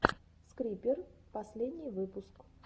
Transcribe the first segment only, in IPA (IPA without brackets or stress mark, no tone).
s